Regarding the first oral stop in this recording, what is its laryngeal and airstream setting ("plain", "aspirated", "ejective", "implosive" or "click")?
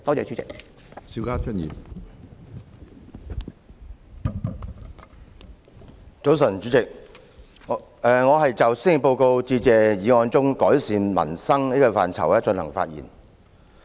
plain